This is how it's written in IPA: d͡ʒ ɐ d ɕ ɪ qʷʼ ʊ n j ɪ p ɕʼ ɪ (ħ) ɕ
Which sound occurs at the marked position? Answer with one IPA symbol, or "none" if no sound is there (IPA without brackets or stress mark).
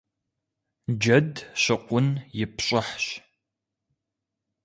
ħ